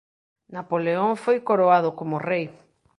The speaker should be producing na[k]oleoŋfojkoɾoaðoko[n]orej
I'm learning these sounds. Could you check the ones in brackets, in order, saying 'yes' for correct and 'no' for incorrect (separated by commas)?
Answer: no, no